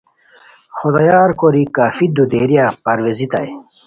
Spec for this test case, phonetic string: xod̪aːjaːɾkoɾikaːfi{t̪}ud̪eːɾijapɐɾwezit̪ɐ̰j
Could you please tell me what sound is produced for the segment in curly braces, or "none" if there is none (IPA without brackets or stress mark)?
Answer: d̪